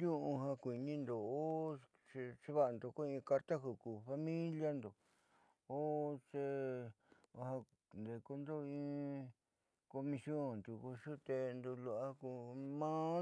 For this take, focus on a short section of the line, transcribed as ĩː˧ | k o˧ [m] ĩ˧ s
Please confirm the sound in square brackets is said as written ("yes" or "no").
yes